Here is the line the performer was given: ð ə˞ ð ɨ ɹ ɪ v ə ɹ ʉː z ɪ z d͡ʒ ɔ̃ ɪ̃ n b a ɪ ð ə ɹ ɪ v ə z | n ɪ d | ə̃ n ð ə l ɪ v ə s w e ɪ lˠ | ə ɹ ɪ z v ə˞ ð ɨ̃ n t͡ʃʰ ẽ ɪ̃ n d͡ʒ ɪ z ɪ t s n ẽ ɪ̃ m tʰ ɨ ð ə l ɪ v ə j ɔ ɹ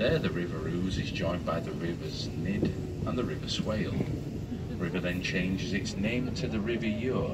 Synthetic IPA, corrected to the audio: ð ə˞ ð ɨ ɹ ɪ v ə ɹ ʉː z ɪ z d͡ʒ ɔ̃ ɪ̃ n b a ɪ ð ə ɹ ɪ v ə z | n ɪ d | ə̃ n ð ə ɹ ɪ v ə s w e ɪ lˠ | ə ɹ ɪ v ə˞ ð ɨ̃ n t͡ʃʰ ẽ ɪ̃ n d͡ʒ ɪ z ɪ t s n ẽ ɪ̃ m tʰ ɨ ð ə ɹ ɪ v ə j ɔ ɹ